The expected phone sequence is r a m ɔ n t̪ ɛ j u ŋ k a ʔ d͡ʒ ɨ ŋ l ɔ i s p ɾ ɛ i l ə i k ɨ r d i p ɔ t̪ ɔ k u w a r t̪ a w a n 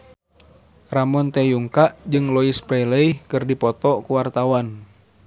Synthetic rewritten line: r a m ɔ n t̪ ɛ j u ŋ k a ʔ d͡ʒ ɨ ŋ l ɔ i s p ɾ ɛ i l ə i k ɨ r d i p ɔ t̪ ɔ k u w a r t̪ a w a n